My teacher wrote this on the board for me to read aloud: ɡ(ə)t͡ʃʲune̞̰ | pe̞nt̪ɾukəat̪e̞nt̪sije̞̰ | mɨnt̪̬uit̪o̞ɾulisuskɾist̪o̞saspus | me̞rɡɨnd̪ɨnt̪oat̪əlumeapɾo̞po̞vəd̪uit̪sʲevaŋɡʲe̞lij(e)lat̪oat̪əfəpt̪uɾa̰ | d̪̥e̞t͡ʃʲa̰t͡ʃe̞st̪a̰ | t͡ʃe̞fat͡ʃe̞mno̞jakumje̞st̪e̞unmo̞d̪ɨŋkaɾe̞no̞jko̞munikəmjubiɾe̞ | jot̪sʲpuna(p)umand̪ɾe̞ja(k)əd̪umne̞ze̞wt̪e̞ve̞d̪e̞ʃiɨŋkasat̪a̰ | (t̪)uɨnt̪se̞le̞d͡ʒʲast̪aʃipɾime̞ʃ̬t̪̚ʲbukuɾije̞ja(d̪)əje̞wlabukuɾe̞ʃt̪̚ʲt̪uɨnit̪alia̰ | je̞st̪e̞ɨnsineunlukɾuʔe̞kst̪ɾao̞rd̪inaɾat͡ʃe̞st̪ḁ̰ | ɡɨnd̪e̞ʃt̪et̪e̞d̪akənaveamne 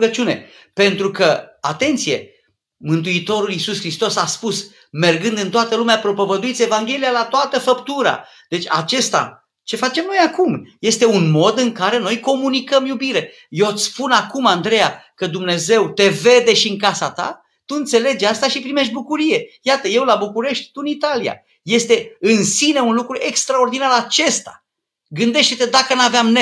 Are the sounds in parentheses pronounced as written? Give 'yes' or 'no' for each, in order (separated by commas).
yes, no, no, yes, yes, no